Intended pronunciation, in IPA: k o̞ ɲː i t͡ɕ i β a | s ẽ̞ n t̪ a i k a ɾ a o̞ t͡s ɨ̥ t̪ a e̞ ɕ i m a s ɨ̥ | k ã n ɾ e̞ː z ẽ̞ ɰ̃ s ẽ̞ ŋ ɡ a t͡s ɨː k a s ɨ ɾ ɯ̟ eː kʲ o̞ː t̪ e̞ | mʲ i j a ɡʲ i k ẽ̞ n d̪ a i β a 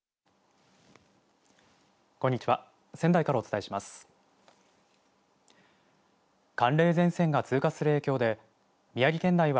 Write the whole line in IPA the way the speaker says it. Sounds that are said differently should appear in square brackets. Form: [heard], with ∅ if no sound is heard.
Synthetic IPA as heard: k o̞ ɲː i t͡ɕ i β a | s ẽ̞ n [d̪] a i k a ɾ a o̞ t͡s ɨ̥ t̪ a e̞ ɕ i m a s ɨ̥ | k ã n ɾ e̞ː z ẽ̞ ɰ̃ s ẽ̞ ŋ ɡ a t͡s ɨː k a s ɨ ɾ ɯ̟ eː kʲ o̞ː [d̪] e̞ | mʲ i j a ɡʲ i k ẽ̞ n d̪ a i β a